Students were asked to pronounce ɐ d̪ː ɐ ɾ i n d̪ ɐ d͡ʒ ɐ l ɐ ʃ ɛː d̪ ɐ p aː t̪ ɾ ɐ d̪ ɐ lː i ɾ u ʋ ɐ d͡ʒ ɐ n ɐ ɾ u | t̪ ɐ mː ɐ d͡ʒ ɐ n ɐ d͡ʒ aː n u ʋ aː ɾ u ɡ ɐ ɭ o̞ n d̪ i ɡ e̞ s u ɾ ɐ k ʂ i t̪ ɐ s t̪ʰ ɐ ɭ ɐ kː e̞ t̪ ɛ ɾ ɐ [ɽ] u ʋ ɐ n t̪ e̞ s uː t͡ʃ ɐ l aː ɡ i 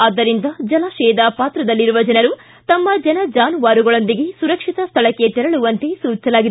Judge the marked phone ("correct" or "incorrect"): incorrect